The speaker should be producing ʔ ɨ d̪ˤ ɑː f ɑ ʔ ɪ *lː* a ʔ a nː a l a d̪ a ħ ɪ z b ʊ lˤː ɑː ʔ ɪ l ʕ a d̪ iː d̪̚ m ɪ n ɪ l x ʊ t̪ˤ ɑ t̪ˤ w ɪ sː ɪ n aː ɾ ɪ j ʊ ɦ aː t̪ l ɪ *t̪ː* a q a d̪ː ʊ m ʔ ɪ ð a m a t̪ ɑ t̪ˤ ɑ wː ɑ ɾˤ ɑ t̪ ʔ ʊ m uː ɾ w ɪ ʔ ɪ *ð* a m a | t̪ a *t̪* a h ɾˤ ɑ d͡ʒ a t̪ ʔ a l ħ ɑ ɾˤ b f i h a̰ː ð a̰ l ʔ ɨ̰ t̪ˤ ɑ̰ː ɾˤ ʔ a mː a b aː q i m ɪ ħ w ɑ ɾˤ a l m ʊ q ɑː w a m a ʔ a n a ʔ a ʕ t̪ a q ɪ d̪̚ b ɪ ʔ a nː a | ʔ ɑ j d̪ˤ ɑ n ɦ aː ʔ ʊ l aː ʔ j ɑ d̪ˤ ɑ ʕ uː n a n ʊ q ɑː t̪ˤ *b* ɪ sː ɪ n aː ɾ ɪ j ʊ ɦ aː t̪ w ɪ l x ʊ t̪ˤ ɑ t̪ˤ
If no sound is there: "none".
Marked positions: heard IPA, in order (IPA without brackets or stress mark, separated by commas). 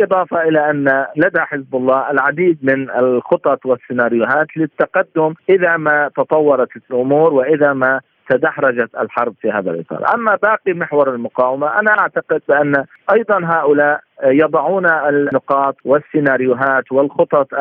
l, t̪ː, ð, d̪, w